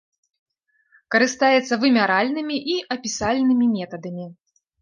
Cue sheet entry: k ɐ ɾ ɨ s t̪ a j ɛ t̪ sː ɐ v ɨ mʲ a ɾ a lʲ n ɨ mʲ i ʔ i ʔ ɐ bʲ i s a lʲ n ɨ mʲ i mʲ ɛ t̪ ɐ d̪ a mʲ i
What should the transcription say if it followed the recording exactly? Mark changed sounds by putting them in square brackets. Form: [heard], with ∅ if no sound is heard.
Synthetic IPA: k ɐ ɾ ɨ s t̪ a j ɛ t̪ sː ɐ v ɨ mʲ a ɾ a lʲ n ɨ mʲ i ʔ i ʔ ɐ [pʲ] i s a lʲ n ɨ mʲ i mʲ ɛ t̪ ɐ d̪ [ɐ] mʲ i